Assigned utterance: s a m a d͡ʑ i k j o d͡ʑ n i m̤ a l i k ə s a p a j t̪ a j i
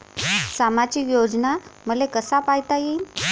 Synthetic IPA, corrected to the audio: s a m a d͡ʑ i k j o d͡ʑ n a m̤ ə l e k ə s a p a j t̪ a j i